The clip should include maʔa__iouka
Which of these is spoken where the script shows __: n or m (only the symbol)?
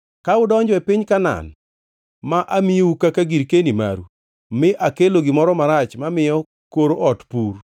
m